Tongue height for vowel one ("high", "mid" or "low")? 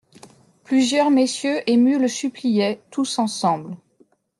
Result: high